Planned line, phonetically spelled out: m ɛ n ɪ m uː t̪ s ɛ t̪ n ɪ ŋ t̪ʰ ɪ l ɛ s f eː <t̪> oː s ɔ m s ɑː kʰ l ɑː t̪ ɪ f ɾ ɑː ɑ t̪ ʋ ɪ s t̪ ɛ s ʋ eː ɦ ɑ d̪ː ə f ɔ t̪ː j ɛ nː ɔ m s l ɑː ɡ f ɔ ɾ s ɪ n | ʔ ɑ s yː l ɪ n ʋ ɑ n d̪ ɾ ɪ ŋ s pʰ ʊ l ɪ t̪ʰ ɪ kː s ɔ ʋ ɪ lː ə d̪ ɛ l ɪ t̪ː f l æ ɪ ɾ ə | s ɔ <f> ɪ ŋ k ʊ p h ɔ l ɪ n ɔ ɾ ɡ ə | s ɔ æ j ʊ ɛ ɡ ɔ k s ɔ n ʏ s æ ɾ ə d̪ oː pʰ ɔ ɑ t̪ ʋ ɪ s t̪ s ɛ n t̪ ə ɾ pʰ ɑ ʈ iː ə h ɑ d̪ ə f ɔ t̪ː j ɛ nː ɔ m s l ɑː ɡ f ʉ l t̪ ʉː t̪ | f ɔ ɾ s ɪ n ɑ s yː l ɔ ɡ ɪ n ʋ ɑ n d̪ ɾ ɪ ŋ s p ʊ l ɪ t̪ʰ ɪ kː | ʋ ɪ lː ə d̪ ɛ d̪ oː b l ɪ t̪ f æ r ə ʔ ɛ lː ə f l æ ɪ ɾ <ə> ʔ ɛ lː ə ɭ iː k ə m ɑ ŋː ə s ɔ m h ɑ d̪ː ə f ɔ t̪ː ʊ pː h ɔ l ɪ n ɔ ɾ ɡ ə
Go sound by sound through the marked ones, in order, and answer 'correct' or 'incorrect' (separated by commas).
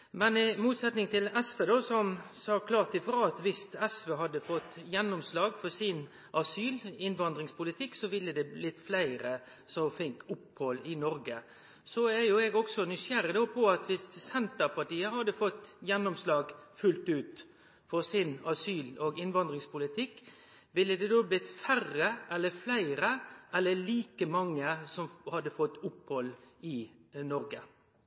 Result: incorrect, correct, correct